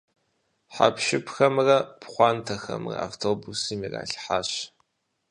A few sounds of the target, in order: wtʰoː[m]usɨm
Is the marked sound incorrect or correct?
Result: incorrect